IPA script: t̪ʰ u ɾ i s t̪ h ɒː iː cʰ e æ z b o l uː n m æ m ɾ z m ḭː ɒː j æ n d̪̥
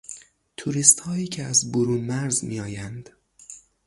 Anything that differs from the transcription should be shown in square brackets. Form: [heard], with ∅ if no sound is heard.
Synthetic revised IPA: t̪ʰ u ɾ i s t̪ h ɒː iː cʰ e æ z b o [ɾ] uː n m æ [∅] ɾ z m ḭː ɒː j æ n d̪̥